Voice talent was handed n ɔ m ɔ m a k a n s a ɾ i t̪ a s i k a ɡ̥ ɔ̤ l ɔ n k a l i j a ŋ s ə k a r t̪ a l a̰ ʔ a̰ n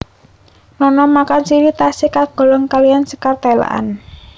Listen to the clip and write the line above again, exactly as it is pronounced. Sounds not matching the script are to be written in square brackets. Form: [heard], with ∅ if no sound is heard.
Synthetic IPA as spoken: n ɔ [n] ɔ m a k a n s [i] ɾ i t̪ a s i k a ɡ̥ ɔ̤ l ɔ [ŋ] k a l i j a [n] s ə k a r t̪ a l a̰ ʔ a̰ n